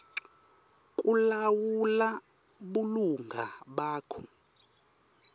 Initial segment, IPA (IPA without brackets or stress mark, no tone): kʼ